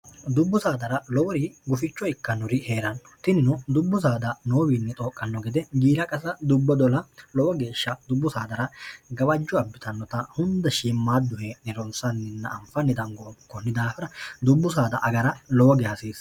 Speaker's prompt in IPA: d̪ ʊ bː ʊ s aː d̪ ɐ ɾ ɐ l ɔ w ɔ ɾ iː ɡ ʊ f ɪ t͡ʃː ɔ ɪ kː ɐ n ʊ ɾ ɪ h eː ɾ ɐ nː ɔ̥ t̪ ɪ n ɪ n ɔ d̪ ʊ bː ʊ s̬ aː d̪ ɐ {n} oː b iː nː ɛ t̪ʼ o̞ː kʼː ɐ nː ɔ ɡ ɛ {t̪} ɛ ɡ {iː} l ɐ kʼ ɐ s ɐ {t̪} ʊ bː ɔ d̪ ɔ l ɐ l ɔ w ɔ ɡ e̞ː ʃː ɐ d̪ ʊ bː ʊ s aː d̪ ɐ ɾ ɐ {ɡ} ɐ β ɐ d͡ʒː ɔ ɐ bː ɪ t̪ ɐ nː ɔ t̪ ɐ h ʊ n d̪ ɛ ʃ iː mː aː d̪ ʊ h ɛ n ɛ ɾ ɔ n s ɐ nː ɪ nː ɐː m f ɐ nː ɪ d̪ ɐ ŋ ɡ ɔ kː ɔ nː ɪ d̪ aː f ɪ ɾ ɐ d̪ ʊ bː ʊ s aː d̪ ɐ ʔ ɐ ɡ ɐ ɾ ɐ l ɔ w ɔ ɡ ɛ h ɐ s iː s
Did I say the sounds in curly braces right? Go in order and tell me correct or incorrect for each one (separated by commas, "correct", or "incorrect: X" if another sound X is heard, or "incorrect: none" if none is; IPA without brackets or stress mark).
correct, incorrect: d̪, correct, incorrect: d̪, correct